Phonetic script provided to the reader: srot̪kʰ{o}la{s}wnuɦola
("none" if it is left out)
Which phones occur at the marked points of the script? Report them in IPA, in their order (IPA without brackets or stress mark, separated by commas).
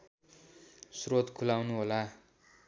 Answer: u, none